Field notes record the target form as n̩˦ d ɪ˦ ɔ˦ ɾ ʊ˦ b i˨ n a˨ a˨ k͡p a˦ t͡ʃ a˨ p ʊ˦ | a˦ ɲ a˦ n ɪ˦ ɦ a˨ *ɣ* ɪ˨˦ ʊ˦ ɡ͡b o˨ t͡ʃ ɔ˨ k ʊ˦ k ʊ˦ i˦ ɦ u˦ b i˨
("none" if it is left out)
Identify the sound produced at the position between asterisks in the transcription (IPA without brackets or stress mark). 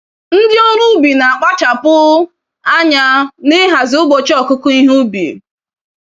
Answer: z